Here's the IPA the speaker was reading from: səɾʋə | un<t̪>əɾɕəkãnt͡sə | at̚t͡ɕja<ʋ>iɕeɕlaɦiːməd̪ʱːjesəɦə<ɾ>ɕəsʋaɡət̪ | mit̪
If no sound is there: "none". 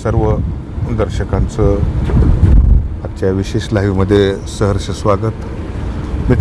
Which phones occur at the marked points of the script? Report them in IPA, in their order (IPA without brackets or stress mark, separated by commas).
d̪, ʋ, ɾ